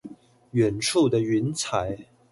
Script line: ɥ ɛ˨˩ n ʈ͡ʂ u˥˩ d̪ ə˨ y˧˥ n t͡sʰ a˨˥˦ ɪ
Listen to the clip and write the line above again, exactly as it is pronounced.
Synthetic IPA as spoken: ɥ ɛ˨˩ n ʈ͡ʂʰ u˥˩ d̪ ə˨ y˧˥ n t͡sʰ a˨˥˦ ɪ